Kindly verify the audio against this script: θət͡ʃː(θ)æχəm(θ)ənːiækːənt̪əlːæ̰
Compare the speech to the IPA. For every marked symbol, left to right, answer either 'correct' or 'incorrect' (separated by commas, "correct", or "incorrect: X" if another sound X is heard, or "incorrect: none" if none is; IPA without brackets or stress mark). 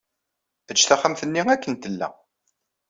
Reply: correct, correct